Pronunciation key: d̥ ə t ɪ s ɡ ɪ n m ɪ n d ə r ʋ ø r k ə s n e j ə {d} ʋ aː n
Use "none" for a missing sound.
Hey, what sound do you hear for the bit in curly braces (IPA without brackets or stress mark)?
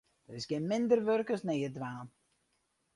d